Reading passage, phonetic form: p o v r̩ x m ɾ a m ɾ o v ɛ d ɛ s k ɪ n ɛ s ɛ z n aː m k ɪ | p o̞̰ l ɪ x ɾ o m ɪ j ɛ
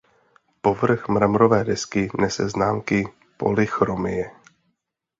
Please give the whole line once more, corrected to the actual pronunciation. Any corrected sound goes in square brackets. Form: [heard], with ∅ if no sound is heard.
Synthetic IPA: p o v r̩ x m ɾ a m ɾ o v [ɛː] d ɛ s k ɪ n ɛ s ɛ z n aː m k ɪ | p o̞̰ l ɪ x ɾ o m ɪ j ɛ